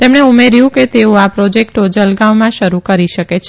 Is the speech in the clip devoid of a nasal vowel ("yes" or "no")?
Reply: no